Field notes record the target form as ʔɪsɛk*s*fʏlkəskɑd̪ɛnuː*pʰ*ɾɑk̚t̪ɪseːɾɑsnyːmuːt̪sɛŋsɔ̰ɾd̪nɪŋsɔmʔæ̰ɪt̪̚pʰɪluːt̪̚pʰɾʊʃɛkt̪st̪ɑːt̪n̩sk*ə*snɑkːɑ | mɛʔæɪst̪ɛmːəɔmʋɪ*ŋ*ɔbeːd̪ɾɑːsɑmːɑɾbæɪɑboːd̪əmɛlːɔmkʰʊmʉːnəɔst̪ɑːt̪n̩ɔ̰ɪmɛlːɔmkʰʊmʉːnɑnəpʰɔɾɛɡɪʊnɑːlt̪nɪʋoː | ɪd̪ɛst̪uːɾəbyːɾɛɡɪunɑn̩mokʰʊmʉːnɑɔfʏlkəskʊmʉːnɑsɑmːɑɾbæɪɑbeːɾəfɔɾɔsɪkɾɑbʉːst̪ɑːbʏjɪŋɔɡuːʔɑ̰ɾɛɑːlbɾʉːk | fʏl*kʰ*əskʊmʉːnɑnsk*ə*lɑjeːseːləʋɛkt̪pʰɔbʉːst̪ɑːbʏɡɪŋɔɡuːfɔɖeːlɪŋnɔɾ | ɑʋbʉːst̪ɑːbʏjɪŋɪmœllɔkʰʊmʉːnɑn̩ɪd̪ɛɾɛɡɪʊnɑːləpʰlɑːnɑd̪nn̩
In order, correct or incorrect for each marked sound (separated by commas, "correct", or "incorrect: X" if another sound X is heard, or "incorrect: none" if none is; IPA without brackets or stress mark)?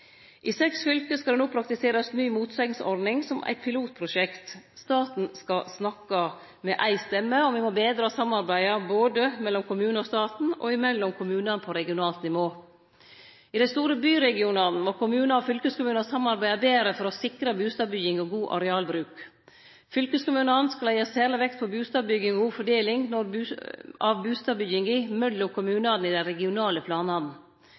correct, correct, incorrect: ɑ, incorrect: m, incorrect: k, incorrect: ɑ